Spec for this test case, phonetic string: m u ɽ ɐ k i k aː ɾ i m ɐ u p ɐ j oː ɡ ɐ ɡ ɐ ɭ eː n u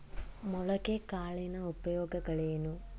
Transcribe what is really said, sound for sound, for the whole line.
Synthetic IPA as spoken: m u ɭ ɐ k e k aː ɭ i n ɐ u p ɐ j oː ɡ ɐ ɡ ɐ ɭ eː n u